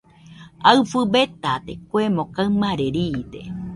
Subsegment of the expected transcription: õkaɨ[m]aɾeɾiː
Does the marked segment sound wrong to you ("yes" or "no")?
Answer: no